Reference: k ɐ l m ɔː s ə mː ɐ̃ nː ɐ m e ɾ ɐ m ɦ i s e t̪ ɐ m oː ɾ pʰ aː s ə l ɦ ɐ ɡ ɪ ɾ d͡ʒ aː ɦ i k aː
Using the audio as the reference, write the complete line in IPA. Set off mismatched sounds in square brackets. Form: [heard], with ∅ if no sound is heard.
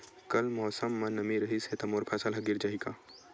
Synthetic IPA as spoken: k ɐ l m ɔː s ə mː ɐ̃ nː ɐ m [i] ɾ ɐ [∅] ɦ i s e t̪ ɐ m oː ɾ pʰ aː s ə l ɦ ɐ ɡ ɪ ɾ d͡ʒ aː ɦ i k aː